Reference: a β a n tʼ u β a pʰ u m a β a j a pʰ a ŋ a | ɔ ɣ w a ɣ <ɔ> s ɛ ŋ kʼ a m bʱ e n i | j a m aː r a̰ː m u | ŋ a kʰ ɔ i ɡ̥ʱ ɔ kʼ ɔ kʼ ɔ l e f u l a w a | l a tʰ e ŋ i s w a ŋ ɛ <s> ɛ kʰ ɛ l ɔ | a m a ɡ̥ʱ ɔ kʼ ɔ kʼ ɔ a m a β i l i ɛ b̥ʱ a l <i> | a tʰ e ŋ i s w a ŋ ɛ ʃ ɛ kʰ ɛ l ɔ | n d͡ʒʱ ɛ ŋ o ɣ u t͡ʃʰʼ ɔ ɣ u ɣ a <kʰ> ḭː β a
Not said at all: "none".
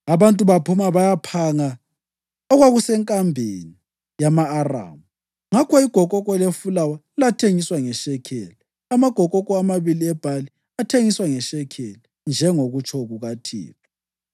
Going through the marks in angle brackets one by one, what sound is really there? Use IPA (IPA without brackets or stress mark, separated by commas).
u, ʃ, i, tʰ